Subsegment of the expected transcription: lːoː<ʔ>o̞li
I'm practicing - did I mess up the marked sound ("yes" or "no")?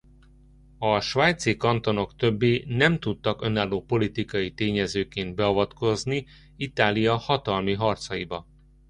yes